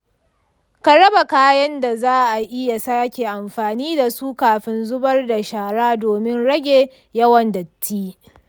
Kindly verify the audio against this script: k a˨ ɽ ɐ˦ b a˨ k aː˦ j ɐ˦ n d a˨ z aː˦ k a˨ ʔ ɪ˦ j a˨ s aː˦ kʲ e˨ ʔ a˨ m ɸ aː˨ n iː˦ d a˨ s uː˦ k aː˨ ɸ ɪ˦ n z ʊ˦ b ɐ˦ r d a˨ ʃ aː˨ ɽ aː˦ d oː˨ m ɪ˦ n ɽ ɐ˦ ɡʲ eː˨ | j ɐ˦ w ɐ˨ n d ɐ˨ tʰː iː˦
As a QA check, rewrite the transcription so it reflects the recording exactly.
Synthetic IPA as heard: k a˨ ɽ ɐ˦ b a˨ k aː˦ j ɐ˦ n d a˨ z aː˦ ʔ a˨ ʔ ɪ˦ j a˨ s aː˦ kʲ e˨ ʔ a˨ m ɸ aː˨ n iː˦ d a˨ s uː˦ k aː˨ ɸ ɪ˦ n z ʊ˦ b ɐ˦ r d a˨ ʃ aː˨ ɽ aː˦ d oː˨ m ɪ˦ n ɽ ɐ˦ ɡʲ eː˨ | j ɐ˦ w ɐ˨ n d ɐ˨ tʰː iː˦